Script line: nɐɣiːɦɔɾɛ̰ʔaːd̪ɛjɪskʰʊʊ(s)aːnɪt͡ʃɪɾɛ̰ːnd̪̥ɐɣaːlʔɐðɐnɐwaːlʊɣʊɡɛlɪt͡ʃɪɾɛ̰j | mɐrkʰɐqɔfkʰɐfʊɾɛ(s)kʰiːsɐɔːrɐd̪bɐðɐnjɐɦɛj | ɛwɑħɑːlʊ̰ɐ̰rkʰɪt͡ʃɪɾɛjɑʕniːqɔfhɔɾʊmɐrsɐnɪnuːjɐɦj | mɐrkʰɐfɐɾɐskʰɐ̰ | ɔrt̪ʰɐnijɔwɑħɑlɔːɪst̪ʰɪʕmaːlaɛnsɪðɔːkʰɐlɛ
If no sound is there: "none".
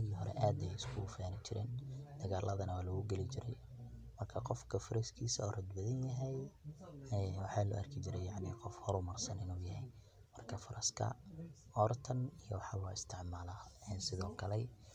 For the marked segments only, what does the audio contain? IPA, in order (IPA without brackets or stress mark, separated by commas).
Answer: f, s